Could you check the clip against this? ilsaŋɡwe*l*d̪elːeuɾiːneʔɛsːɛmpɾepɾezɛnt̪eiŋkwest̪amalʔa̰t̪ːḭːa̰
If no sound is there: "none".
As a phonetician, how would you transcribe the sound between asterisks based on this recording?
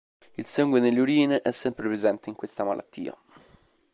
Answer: none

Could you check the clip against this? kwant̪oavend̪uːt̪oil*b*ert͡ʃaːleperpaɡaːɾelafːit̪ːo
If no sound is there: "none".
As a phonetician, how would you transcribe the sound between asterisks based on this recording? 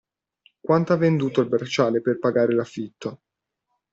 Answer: b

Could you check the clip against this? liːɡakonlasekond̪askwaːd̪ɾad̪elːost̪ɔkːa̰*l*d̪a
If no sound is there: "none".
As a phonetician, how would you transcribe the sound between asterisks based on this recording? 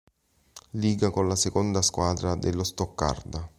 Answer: r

